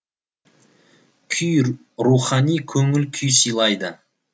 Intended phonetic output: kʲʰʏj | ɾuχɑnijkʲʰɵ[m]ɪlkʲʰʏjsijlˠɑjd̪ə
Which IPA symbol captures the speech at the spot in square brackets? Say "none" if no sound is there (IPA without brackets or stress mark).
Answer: ŋ